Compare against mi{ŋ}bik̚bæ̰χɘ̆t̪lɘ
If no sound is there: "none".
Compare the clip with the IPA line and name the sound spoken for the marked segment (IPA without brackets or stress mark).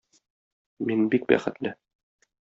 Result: n